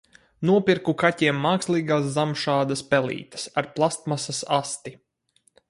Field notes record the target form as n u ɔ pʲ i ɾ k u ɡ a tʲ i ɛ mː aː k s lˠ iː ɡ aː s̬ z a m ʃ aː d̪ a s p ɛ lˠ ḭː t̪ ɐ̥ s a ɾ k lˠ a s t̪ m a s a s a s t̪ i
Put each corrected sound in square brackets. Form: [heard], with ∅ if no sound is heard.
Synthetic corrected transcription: n u ɔ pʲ i ɾ k u [k] a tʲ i ɛ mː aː k s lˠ iː ɡ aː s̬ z a m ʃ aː d̪ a s p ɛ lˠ ḭː t̪ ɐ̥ s a ɾ [p] lˠ a s t̪ m a s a s a s t̪ i